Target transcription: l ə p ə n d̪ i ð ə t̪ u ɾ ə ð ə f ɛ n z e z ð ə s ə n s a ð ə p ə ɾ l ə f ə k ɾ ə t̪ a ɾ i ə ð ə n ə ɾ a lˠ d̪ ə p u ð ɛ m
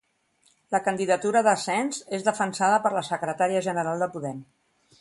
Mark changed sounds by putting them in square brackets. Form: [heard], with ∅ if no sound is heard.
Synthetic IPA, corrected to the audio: l ə [k] ə n d̪ i ð ə t̪ u ɾ ə ð ə [s] ɛ n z e z ð ə [f] ə n s a ð ə p ə ɾ l ə [s] ə k ɾ ə t̪ a ɾ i ə [ʒ] ə n ə ɾ a lˠ d̪ ə p u ð ɛ m